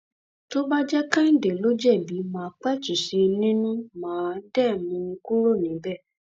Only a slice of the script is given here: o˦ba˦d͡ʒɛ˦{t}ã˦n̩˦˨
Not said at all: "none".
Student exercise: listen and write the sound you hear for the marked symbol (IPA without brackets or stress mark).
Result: k